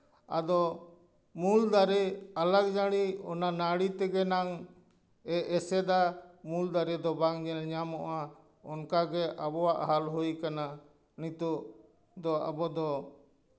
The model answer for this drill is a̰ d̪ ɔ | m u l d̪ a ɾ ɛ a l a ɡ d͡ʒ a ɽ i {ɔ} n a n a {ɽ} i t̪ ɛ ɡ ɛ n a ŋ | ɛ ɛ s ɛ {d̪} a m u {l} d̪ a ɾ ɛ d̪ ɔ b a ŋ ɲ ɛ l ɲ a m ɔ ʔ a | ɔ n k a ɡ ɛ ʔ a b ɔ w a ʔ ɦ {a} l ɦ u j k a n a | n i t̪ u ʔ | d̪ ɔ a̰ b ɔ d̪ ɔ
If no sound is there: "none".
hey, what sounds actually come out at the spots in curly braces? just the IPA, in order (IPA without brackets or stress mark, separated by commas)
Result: ɔ, ɽ, d̪, l, a